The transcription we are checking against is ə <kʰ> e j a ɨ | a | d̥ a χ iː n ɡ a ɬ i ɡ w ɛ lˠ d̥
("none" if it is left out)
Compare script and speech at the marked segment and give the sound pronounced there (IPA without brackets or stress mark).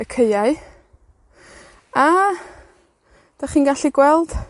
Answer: kʰ